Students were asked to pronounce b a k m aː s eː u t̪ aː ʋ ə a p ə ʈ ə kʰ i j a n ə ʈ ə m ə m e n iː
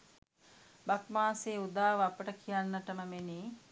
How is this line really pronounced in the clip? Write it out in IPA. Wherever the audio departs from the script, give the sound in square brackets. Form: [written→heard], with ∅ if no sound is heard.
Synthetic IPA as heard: b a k m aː s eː u [t̪→d̪] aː ʋ ə a p ə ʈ ə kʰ i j a [n→nː] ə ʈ ə m ə m e n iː